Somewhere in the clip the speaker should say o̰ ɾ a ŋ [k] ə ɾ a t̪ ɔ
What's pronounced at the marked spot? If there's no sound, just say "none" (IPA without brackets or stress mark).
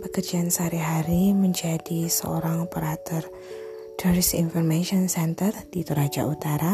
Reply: p